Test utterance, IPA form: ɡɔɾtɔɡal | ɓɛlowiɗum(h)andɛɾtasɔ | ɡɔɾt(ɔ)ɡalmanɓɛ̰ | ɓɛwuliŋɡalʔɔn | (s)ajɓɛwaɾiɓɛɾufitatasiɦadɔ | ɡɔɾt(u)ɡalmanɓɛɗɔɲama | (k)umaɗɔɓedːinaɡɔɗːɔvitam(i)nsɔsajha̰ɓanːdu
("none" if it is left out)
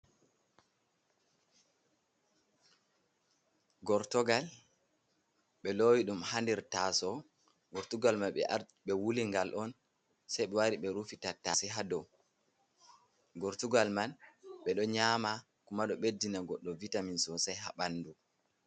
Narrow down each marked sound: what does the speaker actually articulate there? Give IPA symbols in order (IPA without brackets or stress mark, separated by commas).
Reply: h, u, s, u, k, i